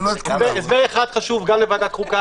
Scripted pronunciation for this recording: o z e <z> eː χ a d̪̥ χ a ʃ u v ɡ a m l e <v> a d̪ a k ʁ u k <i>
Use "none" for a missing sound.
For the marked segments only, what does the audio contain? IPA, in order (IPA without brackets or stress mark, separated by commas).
z, v, a